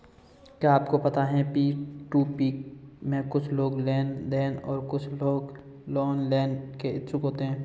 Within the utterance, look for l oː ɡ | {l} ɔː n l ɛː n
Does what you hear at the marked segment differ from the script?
no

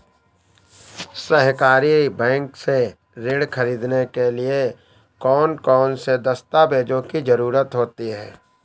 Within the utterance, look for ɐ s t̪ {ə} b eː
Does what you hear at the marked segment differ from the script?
yes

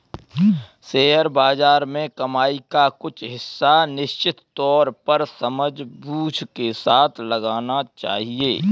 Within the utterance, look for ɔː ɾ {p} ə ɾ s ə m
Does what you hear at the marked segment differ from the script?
no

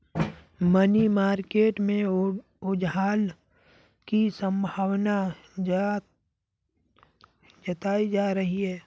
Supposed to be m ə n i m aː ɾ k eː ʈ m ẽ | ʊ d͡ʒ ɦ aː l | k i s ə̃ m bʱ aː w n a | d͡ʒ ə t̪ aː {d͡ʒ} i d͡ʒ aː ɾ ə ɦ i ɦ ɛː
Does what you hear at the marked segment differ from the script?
yes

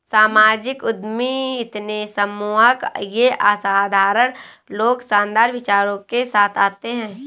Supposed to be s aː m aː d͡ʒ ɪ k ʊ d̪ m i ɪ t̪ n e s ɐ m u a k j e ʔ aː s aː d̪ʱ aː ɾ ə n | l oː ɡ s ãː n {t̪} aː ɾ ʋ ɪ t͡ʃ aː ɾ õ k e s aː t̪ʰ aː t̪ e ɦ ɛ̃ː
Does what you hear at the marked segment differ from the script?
yes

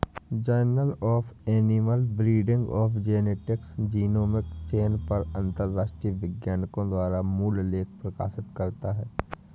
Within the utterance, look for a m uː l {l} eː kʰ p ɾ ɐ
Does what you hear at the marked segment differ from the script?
no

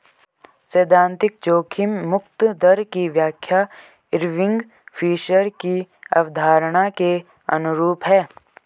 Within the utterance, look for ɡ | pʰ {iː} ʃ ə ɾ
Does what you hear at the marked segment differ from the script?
no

